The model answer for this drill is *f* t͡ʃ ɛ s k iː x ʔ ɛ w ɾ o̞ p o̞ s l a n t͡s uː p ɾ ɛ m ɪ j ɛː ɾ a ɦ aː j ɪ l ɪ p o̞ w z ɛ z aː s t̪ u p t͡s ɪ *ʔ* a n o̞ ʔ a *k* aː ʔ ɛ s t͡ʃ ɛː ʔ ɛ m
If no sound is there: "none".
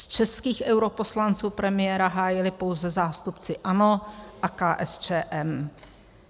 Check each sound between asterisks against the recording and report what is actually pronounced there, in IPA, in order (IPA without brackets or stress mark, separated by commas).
s, ʔ, k